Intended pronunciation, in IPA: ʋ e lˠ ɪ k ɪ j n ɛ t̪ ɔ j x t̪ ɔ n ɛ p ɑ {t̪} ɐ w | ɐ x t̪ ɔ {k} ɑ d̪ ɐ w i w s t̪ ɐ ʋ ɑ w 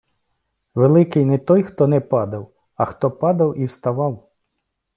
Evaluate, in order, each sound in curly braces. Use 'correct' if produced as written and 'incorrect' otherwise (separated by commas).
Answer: incorrect, incorrect